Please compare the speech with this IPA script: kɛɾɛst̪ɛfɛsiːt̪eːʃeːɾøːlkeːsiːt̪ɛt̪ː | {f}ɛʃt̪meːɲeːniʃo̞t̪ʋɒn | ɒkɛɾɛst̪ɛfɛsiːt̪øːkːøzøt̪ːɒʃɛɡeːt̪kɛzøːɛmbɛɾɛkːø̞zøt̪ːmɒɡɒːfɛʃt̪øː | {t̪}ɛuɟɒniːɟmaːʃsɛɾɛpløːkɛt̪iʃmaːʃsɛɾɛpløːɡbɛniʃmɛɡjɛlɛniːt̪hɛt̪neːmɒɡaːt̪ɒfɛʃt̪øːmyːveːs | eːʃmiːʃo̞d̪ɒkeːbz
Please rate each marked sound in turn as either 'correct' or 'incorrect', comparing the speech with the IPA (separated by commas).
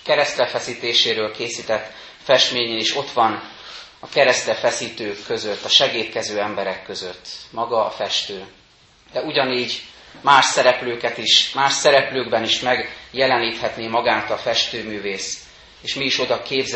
correct, incorrect